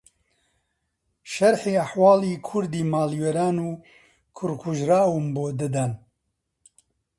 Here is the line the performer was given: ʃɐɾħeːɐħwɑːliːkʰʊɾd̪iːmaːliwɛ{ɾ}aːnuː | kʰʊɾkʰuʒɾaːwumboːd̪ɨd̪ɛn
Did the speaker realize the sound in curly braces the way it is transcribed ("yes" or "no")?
yes